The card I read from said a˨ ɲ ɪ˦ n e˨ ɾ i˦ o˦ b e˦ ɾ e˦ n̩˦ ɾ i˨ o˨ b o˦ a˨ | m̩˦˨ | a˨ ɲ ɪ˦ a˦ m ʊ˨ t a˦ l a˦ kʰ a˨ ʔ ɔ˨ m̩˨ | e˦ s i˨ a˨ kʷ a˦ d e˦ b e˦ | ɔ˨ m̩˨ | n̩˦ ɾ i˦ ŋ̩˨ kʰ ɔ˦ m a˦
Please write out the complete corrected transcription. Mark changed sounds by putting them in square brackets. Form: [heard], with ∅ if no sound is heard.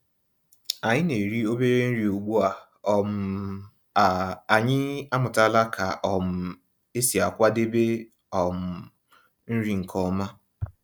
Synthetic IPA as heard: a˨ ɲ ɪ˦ n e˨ ɾ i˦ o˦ b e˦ ɾ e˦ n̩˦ ɾ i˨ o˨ [ɡ͡b] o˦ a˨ | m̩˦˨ | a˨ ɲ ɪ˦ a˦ m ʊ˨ t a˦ l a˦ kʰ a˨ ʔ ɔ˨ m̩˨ | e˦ s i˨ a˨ kʷ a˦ d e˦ b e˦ | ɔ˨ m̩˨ | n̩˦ ɾ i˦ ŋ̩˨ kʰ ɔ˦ m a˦